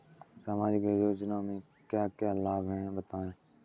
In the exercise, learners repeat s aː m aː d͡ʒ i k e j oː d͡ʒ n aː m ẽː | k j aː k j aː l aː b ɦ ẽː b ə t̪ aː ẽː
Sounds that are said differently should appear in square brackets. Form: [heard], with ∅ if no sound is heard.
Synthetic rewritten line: s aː m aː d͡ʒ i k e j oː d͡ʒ n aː m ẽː | k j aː k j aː l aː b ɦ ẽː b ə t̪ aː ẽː

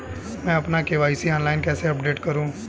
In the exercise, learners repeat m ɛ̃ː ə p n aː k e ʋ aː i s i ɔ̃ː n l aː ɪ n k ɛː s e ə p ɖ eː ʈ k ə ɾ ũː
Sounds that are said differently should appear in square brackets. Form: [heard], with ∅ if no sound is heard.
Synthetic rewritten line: m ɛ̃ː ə p n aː k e ʋ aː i s i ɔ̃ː n l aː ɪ n k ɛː s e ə p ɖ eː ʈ k ə ɾ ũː

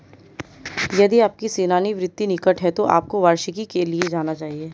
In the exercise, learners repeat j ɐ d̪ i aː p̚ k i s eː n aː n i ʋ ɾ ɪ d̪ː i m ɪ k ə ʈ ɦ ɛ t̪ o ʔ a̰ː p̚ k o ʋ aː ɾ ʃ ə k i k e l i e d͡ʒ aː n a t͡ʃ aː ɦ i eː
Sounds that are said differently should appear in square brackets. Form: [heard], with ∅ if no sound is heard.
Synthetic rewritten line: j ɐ d̪ i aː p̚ k i s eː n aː n i ʋ ɾ ɪ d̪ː i [n] ɪ k ə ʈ ɦ ɛ t̪ o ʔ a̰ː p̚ k o ʋ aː ɾ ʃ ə k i k e l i e d͡ʒ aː n a t͡ʃ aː ɦ i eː

